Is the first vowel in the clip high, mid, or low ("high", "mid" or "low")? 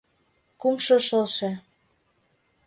high